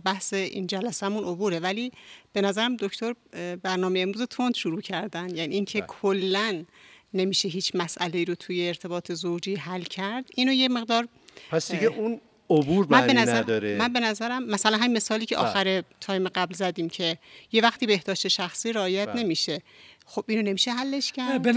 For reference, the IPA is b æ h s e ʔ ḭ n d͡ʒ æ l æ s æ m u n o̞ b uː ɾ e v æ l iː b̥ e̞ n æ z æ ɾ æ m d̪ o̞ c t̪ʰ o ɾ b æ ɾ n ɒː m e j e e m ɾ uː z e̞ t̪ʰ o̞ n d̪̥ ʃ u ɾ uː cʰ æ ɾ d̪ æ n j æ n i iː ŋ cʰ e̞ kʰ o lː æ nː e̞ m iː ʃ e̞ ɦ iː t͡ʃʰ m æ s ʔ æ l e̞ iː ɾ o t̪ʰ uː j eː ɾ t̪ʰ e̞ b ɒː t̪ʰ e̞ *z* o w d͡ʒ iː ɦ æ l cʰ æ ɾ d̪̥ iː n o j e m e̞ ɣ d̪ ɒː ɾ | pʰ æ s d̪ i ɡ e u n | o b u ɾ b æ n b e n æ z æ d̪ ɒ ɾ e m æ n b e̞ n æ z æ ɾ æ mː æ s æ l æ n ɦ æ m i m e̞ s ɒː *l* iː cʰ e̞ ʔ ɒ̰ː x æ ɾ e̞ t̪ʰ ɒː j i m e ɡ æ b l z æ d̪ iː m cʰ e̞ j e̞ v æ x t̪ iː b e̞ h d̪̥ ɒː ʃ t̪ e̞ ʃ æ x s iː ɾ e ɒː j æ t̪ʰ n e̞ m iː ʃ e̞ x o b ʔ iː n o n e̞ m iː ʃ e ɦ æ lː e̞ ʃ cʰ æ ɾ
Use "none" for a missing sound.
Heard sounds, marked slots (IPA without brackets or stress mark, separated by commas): z, l